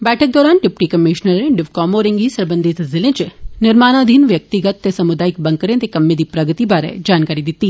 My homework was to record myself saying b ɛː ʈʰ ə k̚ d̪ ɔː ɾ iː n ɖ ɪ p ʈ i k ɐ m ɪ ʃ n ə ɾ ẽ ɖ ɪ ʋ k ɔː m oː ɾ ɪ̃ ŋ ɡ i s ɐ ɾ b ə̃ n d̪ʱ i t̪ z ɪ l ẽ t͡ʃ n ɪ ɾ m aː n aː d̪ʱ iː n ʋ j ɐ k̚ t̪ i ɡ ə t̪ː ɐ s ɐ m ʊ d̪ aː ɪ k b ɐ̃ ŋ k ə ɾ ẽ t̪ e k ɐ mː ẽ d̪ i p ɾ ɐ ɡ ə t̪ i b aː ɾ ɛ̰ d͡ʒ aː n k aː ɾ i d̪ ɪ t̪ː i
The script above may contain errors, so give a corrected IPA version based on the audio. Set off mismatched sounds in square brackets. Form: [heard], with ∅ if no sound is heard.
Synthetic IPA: b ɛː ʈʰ ə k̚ d̪ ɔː ɾ [aː] n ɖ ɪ p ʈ i k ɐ m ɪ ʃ n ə ɾ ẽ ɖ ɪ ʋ k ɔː m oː ɾ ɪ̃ ŋ ɡ i s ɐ ɾ b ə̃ n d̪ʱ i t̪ z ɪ l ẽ t͡ʃ n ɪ ɾ m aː n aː d̪ʱ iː n ʋ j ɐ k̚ t̪ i ɡ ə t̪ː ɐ s ɐ m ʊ d̪ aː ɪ k b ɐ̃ ŋ k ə ɾ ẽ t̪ e k ɐ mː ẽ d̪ i p ɾ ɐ ɡ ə t̪ i b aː ɾ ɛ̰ d͡ʒ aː n k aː ɾ i d̪ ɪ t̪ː i